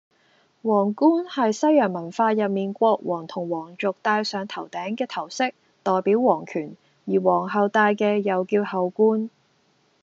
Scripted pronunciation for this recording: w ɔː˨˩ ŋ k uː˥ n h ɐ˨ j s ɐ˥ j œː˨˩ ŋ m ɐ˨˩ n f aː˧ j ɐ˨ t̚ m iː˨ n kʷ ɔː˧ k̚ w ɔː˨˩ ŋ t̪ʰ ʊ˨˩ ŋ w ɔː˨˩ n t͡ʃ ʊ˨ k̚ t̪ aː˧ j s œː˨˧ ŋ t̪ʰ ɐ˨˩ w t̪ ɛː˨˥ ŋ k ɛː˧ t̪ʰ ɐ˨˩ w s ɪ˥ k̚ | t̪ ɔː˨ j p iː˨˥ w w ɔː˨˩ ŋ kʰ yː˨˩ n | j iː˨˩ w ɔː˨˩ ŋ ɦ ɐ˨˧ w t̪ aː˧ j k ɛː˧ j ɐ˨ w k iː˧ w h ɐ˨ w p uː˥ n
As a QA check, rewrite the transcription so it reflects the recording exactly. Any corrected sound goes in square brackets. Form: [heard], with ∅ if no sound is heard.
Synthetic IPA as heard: w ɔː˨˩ ŋ k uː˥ n h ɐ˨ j s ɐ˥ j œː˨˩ ŋ m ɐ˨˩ n f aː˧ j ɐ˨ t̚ m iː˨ n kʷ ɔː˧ k̚ w ɔː˨˩ ŋ t̪ʰ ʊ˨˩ ŋ w ɔː˨˩ [ŋ] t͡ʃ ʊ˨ k̚ t̪ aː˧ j s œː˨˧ ŋ t̪ʰ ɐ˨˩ w t̪ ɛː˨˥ ŋ k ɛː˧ t̪ʰ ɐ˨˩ w s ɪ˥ k̚ | t̪ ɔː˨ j p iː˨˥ w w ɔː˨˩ ŋ kʰ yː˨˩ n | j iː˨˩ w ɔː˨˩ ŋ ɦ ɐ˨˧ w t̪ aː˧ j k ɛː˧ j ɐ˨ w k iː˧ w h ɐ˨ w [k] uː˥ n